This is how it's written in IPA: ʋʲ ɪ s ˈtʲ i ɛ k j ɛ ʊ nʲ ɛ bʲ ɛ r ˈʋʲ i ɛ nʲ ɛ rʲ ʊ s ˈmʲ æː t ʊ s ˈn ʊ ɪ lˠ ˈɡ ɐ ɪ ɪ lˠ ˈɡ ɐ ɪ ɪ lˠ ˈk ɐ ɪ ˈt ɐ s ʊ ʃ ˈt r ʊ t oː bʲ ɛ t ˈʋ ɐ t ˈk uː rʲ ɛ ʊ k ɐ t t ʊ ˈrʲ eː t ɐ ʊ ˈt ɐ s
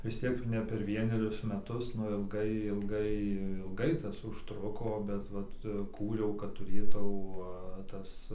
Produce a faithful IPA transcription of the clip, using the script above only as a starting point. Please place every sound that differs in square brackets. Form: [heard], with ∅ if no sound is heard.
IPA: ʋʲ ɪ s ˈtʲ i ɛ k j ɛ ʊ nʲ ɛ [pʲ] ɛ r ˈʋʲ i ɛ nʲ ɛ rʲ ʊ s ˈmʲ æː t ʊ s ˈn ʊ ɪ lˠ ˈɡ ɐ ɪ ɪ lˠ ˈɡ ɐ ɪ ɪ lˠ [ˈɡ] ɐ ɪ ˈt ɐ s ʊ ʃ ˈt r ʊ [k] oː bʲ ɛ t ˈʋ ɐ t ˈk uː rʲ ɛ ʊ k ɐ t t ʊ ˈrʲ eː t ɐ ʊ ˈt ɐ s